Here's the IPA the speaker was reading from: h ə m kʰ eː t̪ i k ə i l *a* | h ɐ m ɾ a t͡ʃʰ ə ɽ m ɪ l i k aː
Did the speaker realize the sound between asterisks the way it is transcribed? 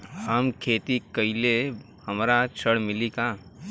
no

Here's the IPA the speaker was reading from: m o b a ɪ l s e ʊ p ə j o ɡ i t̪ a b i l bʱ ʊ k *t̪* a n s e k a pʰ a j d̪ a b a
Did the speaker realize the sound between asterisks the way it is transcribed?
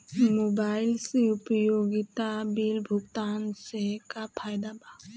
yes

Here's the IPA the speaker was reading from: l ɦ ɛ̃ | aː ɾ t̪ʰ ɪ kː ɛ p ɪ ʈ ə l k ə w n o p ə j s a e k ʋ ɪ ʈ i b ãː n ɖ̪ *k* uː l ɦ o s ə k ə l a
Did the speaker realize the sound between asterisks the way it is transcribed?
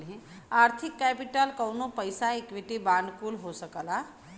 yes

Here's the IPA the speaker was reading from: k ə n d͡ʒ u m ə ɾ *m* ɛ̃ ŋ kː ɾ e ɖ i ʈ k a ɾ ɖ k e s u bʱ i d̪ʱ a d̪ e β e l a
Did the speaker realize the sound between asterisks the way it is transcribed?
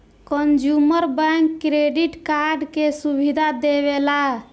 no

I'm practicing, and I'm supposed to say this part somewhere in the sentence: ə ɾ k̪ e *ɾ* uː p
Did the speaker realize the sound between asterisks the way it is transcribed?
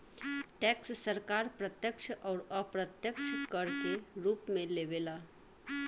yes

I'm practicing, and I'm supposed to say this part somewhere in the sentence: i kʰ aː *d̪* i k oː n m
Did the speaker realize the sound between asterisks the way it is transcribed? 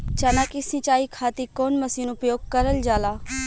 no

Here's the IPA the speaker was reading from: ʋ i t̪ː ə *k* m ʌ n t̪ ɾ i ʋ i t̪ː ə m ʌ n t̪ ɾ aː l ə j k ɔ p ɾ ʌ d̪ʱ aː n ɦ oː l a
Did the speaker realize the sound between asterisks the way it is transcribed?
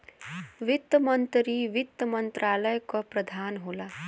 no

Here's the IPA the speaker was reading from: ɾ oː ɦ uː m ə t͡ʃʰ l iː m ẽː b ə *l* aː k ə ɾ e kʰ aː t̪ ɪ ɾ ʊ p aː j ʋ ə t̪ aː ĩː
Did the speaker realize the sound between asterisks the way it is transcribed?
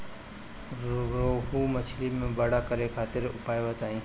no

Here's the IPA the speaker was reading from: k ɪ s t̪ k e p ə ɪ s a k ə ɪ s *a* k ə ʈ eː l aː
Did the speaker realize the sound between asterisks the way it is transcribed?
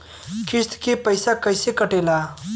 no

